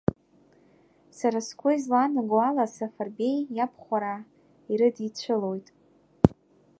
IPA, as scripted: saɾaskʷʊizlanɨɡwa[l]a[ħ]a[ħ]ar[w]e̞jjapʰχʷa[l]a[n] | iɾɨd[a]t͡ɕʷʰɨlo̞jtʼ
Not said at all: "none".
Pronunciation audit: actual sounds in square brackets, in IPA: l, s, f, b, ɾ, none, i

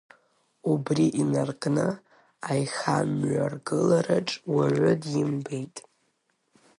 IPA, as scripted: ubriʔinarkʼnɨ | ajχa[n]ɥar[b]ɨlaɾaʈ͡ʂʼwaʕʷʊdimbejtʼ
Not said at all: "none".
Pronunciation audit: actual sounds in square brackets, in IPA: m, ɡ

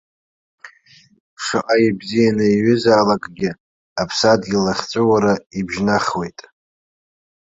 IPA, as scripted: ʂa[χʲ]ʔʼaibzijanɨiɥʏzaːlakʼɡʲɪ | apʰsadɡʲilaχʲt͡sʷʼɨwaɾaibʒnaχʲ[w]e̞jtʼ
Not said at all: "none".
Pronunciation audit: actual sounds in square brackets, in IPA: none, w

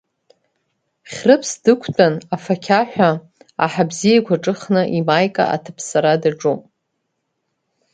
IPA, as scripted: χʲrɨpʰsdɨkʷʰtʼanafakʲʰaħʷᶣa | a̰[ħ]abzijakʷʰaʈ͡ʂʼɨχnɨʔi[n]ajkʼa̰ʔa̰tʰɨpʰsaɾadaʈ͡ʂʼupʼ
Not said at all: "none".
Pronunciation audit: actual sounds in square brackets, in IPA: ħ, m

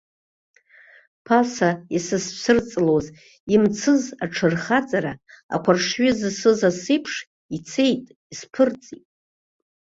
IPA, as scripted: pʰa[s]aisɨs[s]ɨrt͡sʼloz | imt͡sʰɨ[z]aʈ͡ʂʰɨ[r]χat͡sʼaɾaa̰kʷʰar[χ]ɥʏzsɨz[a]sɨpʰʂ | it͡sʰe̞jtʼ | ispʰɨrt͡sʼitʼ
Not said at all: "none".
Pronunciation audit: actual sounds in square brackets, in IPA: s, s, z, r, ʂ, a

